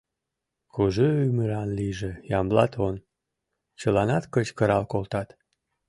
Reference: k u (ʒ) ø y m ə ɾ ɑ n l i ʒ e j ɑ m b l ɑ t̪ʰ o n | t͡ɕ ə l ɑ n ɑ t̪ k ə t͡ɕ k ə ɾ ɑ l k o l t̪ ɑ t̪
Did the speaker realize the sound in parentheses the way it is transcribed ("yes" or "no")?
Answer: yes